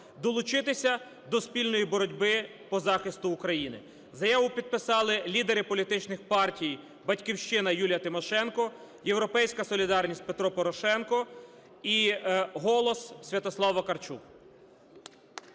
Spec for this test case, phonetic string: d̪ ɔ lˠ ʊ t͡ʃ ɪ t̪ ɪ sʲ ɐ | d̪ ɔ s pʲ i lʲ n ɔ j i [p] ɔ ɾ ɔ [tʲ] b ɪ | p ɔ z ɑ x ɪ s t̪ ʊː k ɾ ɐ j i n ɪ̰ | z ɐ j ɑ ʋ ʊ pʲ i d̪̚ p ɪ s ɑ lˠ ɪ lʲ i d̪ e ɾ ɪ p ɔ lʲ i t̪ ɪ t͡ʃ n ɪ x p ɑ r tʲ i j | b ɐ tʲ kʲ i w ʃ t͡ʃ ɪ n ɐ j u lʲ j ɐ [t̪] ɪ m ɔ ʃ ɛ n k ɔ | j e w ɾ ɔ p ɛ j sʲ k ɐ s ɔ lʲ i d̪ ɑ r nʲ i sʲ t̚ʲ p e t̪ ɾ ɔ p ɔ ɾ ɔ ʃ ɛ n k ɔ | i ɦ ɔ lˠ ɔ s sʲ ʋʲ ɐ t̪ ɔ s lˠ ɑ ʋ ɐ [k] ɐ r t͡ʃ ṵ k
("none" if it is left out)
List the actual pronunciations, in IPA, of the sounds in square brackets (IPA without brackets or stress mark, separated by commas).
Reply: b, dʲ, t̪, k